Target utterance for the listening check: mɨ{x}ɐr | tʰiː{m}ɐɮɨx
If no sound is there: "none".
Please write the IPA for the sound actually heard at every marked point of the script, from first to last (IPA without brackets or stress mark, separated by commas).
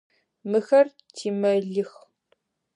x, m